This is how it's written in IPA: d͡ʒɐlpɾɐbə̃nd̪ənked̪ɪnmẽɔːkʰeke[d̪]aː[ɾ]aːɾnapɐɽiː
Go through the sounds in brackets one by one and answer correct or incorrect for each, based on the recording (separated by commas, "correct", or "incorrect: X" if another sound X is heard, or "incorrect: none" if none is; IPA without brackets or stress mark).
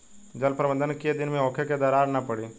correct, correct